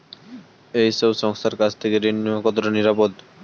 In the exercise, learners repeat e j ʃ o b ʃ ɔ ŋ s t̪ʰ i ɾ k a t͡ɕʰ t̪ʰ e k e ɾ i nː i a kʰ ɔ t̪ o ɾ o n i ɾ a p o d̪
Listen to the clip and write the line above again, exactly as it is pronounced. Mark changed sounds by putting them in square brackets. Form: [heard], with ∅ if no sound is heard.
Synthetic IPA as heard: e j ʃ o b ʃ ɔ ŋ s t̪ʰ [a] ɾ k a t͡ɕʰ t̪ʰ e k e ɾ i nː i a [k] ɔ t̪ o ɾ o n i ɾ a p o d̪